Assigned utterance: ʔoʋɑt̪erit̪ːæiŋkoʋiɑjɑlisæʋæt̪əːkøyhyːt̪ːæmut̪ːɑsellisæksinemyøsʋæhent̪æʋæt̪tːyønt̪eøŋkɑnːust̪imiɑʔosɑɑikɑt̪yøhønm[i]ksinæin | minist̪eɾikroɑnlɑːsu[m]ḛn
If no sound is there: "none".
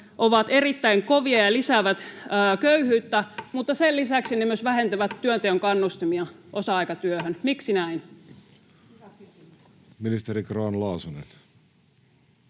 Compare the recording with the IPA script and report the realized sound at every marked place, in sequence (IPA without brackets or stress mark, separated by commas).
i, n